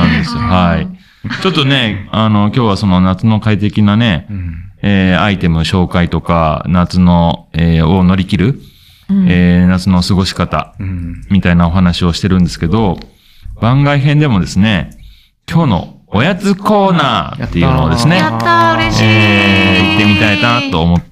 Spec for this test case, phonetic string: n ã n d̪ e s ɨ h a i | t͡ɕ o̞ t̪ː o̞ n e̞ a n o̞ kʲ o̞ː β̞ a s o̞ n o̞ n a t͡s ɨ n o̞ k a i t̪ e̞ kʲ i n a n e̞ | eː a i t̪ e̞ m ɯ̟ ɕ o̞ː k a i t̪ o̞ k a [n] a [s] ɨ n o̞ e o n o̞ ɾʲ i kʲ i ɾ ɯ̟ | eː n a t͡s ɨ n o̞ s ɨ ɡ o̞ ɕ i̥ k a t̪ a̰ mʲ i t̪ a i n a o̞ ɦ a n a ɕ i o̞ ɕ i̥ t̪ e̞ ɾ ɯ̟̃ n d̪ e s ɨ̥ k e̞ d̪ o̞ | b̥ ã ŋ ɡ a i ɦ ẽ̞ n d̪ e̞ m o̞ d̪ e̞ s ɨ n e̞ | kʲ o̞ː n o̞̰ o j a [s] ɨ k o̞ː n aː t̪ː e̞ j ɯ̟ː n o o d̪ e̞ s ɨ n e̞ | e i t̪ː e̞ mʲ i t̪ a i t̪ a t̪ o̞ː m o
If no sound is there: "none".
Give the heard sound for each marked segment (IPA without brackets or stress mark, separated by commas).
n, t͡s, t͡s